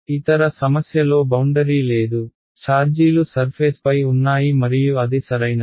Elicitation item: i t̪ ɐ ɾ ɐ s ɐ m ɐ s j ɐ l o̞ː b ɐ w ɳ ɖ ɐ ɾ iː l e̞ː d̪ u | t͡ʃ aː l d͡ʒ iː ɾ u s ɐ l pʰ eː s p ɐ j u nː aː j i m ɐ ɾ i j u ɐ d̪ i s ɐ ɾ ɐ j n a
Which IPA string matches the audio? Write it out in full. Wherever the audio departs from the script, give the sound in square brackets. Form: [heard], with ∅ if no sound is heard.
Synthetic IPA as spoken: i t̪ ɐ ɾ ɐ s ɐ m ɐ s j ɐ l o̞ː b ɐ w ɳ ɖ ɐ ɾ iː l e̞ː d̪ u | t͡ʃ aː [ɾ] d͡ʒ iː [l] u s ɐ [ɾ] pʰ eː s p ɐ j u nː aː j i m ɐ ɾ i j u ɐ d̪ i s ɐ ɾ ɐ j n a